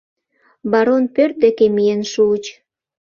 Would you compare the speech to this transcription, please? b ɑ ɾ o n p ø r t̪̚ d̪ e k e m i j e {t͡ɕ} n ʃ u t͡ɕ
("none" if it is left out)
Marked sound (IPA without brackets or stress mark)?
none